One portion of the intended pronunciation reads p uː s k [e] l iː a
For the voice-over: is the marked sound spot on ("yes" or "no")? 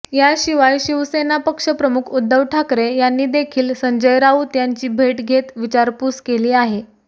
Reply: yes